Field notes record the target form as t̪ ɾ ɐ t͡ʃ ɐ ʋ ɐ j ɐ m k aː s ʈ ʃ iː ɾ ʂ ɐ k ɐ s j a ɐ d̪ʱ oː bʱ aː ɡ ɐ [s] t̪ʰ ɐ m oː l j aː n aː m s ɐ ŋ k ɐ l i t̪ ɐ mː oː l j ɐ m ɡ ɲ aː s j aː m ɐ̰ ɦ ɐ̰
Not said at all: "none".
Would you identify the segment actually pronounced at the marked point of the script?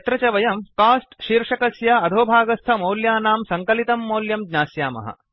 s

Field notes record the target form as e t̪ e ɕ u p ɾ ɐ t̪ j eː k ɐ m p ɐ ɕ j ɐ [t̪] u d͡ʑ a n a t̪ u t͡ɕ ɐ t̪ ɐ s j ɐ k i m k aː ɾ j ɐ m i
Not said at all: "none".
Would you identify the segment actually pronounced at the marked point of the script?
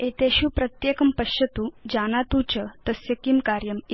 t̪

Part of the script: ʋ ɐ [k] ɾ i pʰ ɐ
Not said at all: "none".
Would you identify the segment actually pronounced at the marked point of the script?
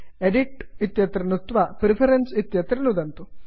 p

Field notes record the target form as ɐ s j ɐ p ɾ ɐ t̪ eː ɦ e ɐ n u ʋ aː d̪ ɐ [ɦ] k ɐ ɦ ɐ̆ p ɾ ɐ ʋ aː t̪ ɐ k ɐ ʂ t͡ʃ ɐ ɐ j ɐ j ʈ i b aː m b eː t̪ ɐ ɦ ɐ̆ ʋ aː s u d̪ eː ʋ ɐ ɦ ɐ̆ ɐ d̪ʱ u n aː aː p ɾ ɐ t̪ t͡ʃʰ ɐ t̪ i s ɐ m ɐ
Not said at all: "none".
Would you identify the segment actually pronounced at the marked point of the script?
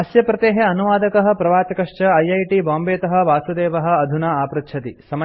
none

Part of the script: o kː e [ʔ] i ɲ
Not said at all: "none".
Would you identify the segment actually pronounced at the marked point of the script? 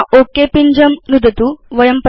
p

